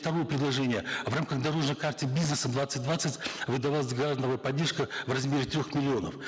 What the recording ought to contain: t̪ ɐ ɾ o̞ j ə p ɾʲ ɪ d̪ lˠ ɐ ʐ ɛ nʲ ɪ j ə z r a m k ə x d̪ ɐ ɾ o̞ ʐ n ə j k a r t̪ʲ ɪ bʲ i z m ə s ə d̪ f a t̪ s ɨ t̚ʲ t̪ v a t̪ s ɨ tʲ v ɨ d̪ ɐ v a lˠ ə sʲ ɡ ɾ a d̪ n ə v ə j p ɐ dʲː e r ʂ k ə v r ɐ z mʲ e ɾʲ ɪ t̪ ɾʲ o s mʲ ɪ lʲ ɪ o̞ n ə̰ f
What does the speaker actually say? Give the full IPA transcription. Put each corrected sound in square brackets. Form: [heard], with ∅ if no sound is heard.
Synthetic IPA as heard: t̪ ɐ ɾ o̞ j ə p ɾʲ ɪ d̪ lˠ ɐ ʐ ɛ nʲ ɪ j ə [v] r a m k ə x d̪ ɐ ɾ o̞ ʐ n ə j k a r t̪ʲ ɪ bʲ i z [n] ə s ə d̪ [v] a t̪ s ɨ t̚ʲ [d̪] v a t̪ s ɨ tʲ v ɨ d̪ ɐ v a lˠ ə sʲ ɡ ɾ a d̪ n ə v ə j p ɐ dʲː e r ʂ k ə v r ɐ z mʲ e ɾʲ ɪ t̪ ɾʲ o [x] mʲ ɪ lʲ ɪ o̞ n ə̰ f

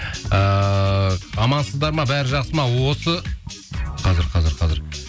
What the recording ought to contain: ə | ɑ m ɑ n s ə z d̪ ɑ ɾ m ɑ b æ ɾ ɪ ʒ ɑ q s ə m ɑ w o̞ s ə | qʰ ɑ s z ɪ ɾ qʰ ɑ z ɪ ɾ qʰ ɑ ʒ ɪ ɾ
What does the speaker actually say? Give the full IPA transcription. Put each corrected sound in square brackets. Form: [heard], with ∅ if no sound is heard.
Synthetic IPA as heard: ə | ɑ m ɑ n s ə z d̪ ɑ ɾ m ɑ b æ ɾ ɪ ʒ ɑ q s ə m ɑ w o̞ s ə | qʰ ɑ [∅] z ɪ ɾ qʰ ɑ z ɪ ɾ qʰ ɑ [z] ɪ ɾ

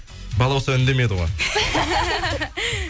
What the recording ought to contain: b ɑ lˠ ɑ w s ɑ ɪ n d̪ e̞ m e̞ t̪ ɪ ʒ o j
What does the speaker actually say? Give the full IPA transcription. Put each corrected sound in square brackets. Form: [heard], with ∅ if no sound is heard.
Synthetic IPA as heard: b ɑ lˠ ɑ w s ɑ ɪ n d̪ e̞ m e̞ [d̪] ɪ [ʁ] o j

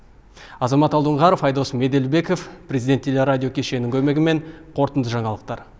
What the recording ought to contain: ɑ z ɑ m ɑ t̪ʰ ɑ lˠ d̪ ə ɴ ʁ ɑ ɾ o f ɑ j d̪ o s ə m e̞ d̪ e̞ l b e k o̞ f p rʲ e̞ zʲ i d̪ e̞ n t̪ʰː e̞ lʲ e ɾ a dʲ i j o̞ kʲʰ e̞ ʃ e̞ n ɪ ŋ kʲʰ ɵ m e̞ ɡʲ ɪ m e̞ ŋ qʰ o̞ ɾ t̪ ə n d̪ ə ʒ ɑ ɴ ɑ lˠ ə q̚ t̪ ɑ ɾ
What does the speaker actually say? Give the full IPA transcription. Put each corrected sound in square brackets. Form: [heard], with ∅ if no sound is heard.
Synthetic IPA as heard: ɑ z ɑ m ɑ [t̪] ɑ lˠ d̪ ə ɴ ʁ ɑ ɾ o f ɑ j d̪ o s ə m e̞ d̪ e̞ l b e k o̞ f p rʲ e̞ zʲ i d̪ e̞ n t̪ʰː e̞ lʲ e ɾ a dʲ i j o̞ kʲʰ e̞ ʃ e̞ n ɪ ŋ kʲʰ ɵ m e̞ ɡʲ ɪ m e̞ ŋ qʰ o̞ ɾ t̪ ə n d̪ ə ʒ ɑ ɴ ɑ lˠ ə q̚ t̪ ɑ ɾ

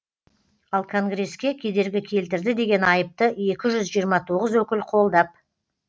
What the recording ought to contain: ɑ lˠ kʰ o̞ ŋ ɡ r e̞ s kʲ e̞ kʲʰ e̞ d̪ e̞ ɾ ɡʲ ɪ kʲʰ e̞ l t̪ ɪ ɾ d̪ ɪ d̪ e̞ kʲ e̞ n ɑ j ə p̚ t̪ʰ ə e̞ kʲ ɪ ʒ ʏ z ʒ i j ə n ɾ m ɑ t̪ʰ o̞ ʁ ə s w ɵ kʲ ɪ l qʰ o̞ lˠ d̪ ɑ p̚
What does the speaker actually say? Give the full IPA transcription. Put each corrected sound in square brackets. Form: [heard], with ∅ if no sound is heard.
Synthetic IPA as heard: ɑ lˠ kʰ o̞ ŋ ɡ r e̞ s kʲ e̞ kʲʰ e̞ d̪ e̞ ɾ ɡʲ ɪ kʲʰ e̞ l t̪ ɪ ɾ d̪ ɪ d̪ e̞ [ɡʲ] e̞ n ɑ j ə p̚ [t̪] ə e̞ kʲ ɪ ʒ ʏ z ʒ i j ə [∅] ɾ m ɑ t̪ʰ o̞ ʁ ə [z] w ɵ kʲ ɪ l qʰ o̞ lˠ d̪ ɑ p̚

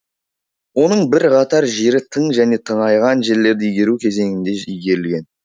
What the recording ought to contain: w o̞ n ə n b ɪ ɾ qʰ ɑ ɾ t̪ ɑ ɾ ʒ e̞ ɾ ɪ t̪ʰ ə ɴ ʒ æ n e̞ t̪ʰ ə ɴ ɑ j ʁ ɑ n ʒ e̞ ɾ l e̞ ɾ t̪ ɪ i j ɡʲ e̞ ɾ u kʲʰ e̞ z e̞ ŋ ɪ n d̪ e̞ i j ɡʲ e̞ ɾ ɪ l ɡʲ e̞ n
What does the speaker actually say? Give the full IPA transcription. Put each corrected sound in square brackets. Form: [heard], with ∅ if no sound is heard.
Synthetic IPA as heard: w o̞ n ə [ɴ] b ɪ ɾ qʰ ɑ [∅] t̪ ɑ ɾ ʒ e̞ ɾ ɪ t̪ʰ ə ɴ ʒ æ n e̞ t̪ʰ ə ɴ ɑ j ʁ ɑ n ʒ e̞ ɾ l e̞ ɾ [d̪] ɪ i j ɡʲ e̞ ɾ u kʲʰ e̞ z e̞ ŋ ɪ n d̪ e̞ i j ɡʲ e̞ ɾ ɪ l ɡʲ e̞ n

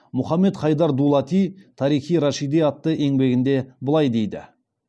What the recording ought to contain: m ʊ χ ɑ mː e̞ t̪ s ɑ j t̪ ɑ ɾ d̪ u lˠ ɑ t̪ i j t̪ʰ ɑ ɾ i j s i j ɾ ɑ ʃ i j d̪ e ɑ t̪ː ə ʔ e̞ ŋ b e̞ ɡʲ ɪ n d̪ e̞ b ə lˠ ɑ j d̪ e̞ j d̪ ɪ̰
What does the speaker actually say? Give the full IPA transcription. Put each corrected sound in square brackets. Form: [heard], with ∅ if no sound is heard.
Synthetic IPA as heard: m ʊ χ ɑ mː e̞ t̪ [χ] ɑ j [d̪] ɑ ɾ d̪ u lˠ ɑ t̪ i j t̪ʰ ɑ ɾ i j [χ] i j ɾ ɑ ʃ i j d̪ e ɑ t̪ː ə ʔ e̞ ŋ b e̞ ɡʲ ɪ n d̪ e̞ b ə lˠ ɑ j d̪ e̞ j d̪ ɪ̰

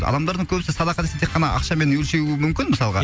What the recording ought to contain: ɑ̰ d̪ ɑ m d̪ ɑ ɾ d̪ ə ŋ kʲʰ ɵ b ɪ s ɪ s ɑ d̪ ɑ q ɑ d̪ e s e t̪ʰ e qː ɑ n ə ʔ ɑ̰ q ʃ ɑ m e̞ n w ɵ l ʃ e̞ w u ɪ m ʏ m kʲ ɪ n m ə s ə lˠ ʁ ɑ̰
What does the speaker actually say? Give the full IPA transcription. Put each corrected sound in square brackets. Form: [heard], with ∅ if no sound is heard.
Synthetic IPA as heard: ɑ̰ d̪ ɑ m d̪ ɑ ɾ d̪ ə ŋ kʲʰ ɵ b ɪ s ɪ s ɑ d̪ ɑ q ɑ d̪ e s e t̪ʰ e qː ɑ n [ɑ] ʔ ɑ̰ q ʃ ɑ m e̞ n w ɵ l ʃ e̞ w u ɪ m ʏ m kʲ ɪ n m ə s [ɑ] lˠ ʁ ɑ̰

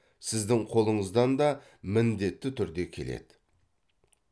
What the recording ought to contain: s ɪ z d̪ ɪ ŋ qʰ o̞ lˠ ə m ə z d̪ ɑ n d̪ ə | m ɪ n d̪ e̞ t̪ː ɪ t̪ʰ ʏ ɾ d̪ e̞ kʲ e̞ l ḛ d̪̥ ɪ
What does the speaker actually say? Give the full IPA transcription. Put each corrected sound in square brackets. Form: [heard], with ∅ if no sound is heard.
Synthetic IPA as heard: s ɪ z d̪ ɪ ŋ qʰ o̞ lˠ ə [ɴ] ə z d̪ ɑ n d̪ [ɑ] | m ɪ n d̪ e̞ t̪ː ɪ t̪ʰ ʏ ɾ d̪ e̞ [kʲʰ] e̞ l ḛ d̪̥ ɪ

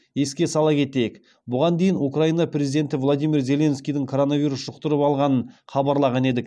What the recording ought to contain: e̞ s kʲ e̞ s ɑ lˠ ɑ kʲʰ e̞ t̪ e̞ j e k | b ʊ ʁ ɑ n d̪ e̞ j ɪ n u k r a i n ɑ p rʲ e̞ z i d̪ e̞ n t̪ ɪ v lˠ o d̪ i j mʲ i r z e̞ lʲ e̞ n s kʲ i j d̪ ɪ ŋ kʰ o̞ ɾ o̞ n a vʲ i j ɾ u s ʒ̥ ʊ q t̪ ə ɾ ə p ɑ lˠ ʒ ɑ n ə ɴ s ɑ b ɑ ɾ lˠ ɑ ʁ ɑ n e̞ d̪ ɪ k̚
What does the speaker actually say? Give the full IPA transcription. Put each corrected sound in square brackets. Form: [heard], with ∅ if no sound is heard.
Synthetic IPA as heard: e̞ s kʲ e̞ s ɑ lˠ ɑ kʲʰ e̞ t̪ e̞ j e k | b ʊ ʁ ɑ n d̪ e̞ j ɪ n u k r a i n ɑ p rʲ e̞ z i d̪ e̞ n t̪ ɪ v lˠ o d̪ i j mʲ i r z e̞ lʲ e̞ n s kʲ i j d̪ ɪ ŋ kʰ o̞ ɾ o̞ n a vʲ i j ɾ u s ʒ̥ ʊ q t̪ ə ɾ ə p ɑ lˠ [ʁ] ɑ n ə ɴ [χ] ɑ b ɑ ɾ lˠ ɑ ʁ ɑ n e̞ d̪ ɪ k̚

